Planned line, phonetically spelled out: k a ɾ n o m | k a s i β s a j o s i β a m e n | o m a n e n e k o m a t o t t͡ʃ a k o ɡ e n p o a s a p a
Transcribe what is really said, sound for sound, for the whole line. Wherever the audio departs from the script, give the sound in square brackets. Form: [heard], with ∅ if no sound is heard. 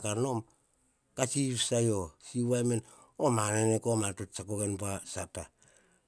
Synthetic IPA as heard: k a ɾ n o m | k a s i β s a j o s i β a m e n | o m a n e n e k o m a t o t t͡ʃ a k o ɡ e n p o a s a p a